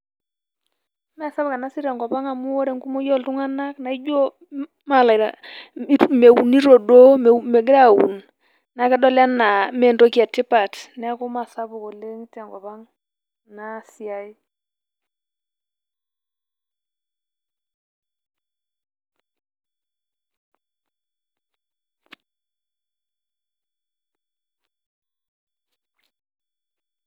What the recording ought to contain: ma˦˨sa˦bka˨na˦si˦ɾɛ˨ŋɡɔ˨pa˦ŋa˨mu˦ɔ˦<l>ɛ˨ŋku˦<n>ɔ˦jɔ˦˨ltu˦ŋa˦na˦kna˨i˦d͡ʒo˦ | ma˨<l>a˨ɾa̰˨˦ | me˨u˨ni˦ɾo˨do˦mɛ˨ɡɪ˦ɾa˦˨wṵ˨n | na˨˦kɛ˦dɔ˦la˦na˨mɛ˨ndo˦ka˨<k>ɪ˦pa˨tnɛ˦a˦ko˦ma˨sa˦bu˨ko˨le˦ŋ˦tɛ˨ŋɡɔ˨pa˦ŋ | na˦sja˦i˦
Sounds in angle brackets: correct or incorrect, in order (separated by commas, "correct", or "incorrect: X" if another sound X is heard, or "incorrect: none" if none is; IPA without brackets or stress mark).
incorrect: ɾ, incorrect: m, correct, incorrect: t